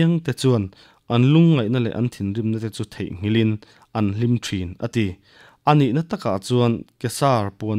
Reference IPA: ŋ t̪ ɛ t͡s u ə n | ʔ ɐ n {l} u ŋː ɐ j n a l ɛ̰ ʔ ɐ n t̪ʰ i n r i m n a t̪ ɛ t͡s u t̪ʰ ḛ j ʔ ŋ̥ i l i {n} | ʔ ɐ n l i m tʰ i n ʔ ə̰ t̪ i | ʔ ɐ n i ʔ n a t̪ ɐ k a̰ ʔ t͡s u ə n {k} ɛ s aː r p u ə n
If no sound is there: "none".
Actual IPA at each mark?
l, n, k

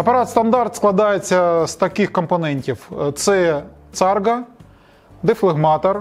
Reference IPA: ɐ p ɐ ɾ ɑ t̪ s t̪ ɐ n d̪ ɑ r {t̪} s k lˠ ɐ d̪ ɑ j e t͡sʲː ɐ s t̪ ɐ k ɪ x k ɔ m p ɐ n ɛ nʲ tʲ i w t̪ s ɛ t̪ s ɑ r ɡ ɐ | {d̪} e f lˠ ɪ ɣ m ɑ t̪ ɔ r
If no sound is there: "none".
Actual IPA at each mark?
t̪, d̪

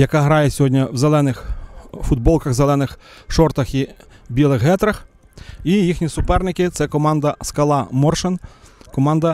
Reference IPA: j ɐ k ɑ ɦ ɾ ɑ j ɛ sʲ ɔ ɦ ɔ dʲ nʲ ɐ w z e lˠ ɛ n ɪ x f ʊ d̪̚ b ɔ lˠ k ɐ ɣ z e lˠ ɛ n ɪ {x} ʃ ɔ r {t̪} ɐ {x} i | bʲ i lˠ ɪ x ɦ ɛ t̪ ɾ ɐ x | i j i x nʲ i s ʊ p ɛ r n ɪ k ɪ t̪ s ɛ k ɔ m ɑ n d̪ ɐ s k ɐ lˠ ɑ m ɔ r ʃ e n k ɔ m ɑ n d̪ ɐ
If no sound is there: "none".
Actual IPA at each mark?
x, t̪, x

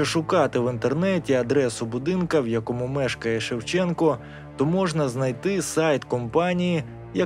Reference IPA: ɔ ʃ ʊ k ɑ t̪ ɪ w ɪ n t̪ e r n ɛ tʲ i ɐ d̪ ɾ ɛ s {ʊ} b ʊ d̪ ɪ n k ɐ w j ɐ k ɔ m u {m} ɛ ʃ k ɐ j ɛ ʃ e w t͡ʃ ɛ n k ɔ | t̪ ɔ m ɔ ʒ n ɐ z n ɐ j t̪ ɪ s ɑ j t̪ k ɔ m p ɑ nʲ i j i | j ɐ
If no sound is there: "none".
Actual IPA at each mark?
ʊ, m

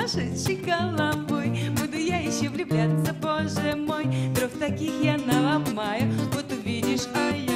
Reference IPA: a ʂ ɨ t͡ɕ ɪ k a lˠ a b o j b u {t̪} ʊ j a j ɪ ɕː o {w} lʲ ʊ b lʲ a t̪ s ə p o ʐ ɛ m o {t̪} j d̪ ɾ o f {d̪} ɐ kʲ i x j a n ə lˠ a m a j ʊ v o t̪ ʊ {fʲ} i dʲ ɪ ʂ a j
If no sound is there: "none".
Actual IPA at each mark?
d̪, v, none, t̪, vʲ

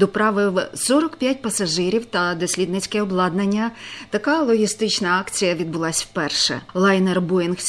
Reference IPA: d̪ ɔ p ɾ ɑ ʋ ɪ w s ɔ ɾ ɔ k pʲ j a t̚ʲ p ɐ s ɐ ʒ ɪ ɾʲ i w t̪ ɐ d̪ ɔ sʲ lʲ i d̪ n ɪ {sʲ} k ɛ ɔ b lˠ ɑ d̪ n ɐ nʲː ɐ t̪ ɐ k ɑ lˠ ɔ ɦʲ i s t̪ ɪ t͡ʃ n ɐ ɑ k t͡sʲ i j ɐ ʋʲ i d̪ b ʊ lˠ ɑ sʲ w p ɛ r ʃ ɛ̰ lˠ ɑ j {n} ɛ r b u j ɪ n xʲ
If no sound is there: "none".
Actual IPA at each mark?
t͡sʲ, n

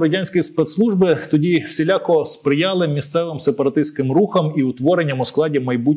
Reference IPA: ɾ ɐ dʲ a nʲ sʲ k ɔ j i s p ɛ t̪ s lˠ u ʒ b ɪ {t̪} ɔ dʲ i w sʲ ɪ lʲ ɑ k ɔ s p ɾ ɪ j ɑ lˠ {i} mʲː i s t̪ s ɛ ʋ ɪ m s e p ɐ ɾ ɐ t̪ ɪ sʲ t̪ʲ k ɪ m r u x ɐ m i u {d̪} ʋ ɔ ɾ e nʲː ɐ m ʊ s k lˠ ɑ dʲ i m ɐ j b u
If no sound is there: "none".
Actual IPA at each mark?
t̪, ɪ, t̪

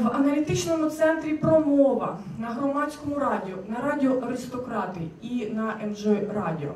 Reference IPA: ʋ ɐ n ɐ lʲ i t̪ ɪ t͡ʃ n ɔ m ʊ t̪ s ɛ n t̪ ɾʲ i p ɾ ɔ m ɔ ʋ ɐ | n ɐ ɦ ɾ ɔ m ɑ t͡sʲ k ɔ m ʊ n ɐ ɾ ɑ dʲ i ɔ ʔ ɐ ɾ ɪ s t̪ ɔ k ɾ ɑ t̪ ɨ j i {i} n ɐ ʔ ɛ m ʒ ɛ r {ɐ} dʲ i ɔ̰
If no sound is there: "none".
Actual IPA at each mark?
i, ɑ

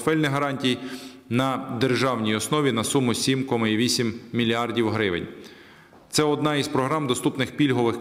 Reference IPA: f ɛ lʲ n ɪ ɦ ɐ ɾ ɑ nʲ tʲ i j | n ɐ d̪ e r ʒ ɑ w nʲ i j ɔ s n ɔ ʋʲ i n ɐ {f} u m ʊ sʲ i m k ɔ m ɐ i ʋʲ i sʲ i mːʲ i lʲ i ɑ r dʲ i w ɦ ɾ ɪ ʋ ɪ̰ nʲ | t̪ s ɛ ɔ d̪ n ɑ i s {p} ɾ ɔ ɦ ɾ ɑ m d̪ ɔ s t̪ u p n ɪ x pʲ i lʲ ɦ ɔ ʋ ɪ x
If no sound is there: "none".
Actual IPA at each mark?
s, p

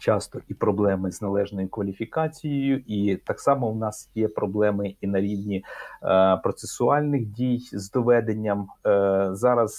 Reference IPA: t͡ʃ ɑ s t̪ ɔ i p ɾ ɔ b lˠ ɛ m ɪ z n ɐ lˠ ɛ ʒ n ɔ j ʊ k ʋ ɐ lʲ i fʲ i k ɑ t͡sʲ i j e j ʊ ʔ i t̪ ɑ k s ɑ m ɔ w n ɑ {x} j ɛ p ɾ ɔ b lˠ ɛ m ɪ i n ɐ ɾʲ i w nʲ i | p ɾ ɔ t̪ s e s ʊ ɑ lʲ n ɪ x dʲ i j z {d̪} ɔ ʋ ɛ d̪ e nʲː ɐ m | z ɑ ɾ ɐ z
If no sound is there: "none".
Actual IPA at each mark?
s, d̪

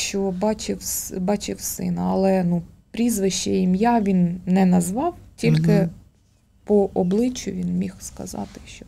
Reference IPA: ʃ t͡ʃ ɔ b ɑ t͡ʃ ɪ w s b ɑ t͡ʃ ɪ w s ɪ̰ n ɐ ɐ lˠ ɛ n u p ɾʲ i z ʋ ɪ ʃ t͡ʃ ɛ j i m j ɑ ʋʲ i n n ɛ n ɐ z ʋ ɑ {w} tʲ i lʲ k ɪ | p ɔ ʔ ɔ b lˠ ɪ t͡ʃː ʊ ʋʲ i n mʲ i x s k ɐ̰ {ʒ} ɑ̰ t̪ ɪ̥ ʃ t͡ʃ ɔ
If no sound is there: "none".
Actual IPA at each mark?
w, z

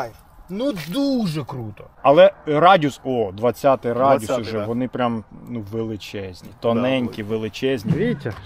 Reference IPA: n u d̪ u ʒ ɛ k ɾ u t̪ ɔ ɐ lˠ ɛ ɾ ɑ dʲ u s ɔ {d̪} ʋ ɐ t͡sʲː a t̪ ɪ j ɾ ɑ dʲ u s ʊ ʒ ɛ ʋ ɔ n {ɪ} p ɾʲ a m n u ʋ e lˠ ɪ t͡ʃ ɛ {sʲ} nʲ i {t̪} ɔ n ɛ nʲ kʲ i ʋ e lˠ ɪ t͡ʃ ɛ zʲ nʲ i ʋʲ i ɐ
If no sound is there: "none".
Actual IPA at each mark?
d̪, ɪ, zʲ, t̪

